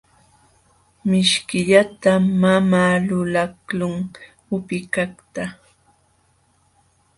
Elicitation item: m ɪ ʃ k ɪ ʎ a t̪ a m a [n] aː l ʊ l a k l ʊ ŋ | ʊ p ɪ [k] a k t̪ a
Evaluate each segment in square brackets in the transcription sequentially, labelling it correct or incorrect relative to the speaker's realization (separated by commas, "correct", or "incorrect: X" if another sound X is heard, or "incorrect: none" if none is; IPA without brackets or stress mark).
incorrect: m, correct